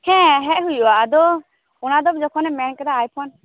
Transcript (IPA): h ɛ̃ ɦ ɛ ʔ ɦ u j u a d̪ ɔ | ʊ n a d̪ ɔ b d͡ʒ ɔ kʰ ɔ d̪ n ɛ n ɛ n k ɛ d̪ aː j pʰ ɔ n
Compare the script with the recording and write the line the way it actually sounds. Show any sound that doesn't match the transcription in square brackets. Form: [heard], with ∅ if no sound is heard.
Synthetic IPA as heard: h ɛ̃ ɦ ɛ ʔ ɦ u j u a d̪ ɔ | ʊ n a d̪ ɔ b d͡ʒ ɔ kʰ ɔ [∅] n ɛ [m] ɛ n k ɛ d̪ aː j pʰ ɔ n